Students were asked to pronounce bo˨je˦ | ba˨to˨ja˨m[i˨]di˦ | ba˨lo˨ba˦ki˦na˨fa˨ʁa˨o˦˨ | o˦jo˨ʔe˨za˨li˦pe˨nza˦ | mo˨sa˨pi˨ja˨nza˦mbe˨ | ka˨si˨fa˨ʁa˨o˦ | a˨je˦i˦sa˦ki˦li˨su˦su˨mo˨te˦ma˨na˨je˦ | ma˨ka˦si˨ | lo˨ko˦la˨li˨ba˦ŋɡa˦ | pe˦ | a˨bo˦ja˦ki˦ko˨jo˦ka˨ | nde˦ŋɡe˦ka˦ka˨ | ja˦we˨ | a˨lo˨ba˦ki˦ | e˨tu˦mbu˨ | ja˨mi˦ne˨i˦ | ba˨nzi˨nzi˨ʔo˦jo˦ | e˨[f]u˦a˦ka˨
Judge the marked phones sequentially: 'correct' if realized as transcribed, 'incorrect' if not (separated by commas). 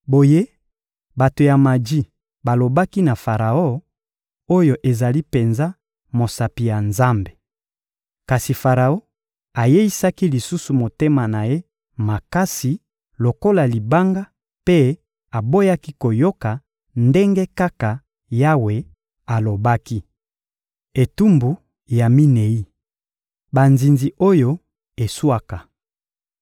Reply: incorrect, incorrect